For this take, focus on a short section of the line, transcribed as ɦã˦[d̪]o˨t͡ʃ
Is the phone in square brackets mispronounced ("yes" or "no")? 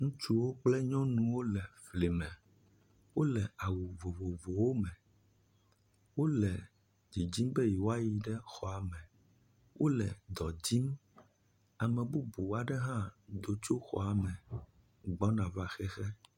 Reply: no